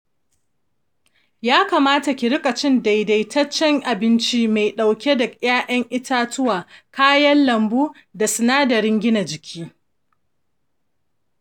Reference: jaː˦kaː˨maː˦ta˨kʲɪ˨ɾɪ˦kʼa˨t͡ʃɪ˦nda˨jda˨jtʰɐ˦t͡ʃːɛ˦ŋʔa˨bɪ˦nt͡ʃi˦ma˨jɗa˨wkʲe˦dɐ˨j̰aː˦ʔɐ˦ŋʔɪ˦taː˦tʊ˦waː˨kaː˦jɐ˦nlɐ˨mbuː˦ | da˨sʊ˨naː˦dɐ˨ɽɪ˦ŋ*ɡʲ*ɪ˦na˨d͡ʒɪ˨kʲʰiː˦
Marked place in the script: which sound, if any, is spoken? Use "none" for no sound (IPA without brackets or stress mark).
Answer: ɡʲ